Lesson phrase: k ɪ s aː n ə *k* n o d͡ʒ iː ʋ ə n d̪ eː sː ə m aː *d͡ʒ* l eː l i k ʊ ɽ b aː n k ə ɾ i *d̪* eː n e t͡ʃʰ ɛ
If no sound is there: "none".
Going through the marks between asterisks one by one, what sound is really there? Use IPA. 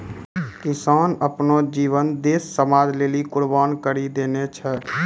p, d͡ʒ, d̪

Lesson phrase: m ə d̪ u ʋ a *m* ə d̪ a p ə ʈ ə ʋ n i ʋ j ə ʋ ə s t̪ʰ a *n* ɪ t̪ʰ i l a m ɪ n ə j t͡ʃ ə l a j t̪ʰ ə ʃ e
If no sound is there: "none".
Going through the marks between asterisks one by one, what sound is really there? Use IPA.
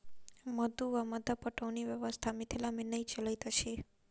m, m

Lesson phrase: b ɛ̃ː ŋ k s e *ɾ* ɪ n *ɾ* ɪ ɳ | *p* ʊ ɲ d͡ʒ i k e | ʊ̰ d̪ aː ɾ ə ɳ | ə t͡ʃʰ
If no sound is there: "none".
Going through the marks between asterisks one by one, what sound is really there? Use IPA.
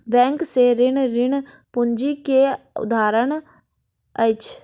ɾ, ɾ, p

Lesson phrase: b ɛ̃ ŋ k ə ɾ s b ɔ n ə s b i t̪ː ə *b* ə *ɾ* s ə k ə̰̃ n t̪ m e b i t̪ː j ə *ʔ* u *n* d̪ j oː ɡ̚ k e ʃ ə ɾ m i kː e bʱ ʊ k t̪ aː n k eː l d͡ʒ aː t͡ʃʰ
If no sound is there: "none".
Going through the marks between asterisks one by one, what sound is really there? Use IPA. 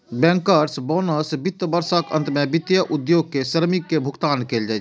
b, ɾ, ʔ, none

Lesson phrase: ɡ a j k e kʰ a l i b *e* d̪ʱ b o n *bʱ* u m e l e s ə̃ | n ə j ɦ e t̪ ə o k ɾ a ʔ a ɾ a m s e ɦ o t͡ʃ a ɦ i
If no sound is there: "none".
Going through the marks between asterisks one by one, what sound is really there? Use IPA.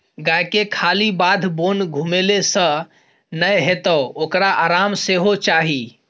a, ɡʱ

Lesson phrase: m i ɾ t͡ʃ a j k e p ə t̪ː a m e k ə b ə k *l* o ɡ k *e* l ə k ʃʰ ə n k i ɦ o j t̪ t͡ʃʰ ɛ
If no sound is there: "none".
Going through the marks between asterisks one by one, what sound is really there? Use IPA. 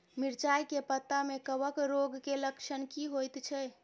ɾ, e

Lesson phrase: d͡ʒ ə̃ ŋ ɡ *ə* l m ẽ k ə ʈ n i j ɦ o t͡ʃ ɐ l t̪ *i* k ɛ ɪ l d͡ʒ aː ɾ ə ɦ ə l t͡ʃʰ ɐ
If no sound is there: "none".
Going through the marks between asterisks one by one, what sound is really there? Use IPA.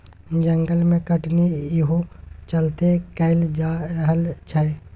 ə, e

